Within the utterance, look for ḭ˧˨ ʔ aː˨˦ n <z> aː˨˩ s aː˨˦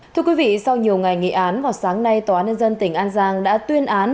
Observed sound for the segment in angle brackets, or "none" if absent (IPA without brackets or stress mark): v